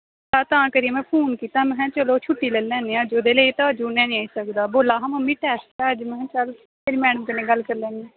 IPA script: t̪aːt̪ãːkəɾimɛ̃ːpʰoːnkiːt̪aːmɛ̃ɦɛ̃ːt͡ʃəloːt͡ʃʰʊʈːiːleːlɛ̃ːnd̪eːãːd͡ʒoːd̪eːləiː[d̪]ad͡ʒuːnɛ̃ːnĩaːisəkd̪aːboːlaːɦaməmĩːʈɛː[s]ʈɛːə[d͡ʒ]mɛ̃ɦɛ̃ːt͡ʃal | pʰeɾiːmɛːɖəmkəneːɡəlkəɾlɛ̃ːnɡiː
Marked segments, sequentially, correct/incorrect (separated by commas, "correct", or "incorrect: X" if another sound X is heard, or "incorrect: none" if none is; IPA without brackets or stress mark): incorrect: t̪, correct, correct